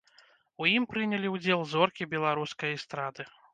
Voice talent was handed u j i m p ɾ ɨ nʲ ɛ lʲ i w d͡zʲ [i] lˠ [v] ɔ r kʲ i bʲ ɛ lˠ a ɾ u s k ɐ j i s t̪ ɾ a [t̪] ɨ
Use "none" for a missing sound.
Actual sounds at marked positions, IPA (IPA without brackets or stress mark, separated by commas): ɛ, z, d̪